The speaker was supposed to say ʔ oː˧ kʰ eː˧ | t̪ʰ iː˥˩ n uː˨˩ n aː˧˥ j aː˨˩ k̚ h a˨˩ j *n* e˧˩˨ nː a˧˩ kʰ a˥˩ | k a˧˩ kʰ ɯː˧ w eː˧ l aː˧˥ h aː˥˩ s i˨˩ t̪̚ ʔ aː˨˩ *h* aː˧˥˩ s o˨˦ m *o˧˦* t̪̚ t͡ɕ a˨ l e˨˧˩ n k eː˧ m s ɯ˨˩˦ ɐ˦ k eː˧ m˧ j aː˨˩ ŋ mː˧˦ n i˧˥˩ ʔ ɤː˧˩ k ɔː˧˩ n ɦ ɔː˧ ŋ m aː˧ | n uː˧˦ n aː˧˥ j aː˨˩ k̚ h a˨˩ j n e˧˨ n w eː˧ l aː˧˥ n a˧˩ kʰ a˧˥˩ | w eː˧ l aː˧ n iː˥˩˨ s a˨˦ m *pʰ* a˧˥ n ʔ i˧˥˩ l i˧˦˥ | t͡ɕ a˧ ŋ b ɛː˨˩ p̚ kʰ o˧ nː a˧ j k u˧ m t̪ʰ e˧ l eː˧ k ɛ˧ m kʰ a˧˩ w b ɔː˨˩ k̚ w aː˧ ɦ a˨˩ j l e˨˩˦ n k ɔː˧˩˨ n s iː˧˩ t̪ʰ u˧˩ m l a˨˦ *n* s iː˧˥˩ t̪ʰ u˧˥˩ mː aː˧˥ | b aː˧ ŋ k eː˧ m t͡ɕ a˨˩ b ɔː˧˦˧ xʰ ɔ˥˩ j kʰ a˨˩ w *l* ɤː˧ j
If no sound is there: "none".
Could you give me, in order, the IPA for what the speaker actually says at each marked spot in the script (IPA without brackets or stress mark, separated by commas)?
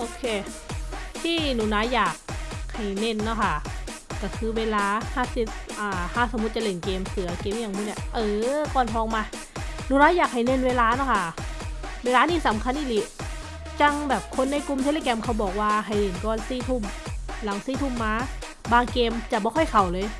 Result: n, h, u˧˦, kʰ, ŋ, l